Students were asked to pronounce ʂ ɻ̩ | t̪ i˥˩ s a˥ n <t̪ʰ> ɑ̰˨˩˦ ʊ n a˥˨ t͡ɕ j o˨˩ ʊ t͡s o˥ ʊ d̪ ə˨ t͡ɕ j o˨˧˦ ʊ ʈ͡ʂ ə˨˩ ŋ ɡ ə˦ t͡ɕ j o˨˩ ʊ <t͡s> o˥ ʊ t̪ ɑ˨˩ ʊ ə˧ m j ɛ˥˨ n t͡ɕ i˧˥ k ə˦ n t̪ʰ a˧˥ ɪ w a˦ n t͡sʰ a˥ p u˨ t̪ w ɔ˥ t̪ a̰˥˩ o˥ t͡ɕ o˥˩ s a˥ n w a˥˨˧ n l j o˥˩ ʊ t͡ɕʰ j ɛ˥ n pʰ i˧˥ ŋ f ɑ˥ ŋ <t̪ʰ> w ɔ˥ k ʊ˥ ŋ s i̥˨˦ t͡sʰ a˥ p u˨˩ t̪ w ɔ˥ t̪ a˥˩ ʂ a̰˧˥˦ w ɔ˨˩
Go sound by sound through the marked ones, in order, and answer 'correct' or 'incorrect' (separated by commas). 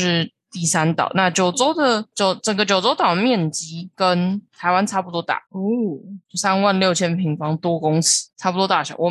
incorrect, correct, incorrect